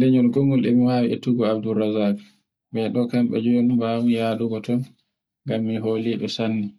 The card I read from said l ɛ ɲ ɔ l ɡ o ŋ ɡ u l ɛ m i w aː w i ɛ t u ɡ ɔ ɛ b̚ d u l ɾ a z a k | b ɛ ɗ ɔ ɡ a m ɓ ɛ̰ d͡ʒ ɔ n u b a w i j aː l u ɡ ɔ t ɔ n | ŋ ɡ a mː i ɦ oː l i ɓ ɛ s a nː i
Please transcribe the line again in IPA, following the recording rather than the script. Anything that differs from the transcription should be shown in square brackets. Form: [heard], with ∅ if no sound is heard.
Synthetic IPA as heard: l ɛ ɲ ɔ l ɡ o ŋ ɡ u l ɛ m i w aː w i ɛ t u ɡ ɔ [a] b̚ d u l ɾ a z a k | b ɛ ɗ ɔ [k] a m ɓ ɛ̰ d͡ʒ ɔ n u b a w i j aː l u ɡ ɔ t ɔ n | ŋ ɡ a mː i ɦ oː l i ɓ ɛ s a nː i